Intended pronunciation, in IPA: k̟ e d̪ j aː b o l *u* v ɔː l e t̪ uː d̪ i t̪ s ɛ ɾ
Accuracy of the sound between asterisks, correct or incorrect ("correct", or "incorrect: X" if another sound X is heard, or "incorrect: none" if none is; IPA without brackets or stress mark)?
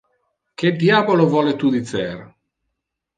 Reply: incorrect: o